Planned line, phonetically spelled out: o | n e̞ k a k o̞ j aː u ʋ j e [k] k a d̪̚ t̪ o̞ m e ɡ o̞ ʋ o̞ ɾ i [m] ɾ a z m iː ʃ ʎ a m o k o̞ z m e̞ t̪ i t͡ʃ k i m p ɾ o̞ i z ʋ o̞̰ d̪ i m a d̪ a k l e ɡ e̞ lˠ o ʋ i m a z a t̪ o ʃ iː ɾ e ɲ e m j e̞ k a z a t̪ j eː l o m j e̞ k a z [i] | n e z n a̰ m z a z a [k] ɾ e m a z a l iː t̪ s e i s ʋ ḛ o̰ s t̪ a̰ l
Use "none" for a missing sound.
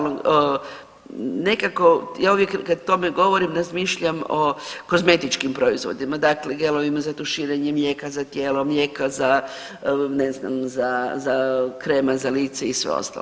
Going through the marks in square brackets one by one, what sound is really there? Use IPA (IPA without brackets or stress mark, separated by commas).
k, m, a, k